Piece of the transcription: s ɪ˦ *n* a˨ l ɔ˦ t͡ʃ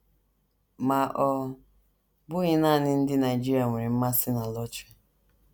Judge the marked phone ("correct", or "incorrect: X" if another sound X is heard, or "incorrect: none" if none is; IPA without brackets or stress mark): correct